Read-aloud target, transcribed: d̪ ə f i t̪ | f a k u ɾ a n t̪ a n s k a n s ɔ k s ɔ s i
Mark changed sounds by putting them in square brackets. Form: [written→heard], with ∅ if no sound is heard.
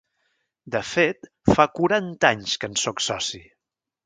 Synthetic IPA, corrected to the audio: d̪ ə f [i→e] t̪ | f a k u ɾ a n t̪ a [n→ɲ] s k [a→ə] n s ɔ k s ɔ s i